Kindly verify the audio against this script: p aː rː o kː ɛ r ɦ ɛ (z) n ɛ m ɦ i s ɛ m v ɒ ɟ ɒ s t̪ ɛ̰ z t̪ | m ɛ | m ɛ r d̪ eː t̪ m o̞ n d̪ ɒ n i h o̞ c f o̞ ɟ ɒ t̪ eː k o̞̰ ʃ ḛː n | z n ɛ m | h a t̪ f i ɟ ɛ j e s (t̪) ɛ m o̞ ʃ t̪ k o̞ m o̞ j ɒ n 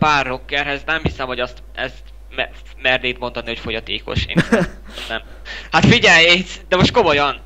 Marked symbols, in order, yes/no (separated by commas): yes, no